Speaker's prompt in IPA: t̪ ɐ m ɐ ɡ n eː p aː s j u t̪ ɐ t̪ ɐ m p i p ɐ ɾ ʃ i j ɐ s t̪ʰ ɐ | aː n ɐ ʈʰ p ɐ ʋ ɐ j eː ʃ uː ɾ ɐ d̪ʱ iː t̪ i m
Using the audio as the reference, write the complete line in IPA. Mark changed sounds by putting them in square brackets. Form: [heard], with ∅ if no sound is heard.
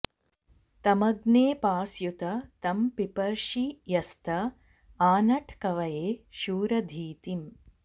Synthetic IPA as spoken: t̪ ɐ m ɐ ɡ n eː p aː s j u t̪ ɐ t̪ ɐ m p i p ɐ ɾ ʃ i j ɐ s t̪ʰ ɐ | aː n ɐ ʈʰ [k] ɐ ʋ ɐ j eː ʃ uː ɾ ɐ d̪ʱ iː t̪ i m